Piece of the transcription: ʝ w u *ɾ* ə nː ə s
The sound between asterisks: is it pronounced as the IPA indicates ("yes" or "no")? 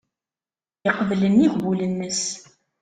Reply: no